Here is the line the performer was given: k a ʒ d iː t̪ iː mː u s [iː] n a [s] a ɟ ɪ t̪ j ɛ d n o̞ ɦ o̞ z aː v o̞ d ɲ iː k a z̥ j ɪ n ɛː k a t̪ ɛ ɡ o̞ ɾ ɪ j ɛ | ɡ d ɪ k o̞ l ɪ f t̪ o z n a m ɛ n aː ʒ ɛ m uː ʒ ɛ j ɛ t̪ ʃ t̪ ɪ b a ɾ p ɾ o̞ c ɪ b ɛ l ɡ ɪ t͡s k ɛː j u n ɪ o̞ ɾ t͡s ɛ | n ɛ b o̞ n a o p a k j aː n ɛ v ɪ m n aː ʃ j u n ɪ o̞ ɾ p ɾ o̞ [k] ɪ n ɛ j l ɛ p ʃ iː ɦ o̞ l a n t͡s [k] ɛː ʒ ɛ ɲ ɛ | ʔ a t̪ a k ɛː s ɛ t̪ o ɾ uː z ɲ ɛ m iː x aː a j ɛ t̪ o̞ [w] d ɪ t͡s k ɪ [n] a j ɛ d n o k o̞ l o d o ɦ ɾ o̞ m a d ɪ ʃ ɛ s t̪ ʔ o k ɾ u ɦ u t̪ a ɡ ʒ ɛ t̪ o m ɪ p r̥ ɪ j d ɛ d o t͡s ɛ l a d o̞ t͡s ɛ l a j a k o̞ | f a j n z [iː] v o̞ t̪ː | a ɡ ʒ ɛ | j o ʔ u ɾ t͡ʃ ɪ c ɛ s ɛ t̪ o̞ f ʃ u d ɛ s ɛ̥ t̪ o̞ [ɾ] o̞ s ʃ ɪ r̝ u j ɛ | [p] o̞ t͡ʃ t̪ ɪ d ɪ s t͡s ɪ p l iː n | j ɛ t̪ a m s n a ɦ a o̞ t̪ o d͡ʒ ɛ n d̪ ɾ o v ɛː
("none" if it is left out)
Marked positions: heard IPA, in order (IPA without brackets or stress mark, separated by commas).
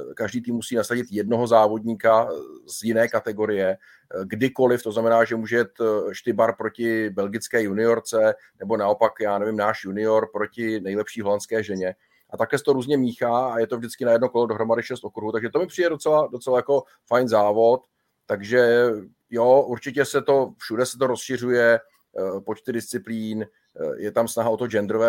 iː, s, c, k, v, n, aː, ɾ, p